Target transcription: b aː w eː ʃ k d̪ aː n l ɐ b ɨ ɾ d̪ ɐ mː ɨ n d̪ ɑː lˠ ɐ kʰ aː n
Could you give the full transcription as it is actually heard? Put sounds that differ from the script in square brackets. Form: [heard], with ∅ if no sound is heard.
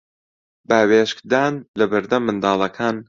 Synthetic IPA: b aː w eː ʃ k d̪ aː n l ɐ b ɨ ɾ d̪ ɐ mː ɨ n d̪ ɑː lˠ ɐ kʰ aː n